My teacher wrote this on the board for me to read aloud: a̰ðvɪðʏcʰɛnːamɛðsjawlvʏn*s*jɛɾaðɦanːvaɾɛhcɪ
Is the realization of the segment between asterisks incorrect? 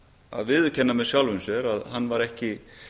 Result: no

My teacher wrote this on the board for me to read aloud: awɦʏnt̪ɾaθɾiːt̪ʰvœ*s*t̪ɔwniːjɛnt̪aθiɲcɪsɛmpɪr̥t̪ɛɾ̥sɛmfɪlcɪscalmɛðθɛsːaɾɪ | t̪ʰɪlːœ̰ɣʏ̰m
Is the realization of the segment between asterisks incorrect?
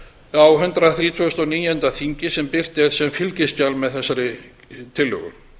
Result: no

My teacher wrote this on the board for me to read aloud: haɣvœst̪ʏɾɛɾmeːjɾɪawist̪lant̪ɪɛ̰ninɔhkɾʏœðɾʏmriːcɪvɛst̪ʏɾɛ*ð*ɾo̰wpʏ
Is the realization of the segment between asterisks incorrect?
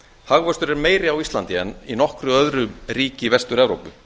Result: yes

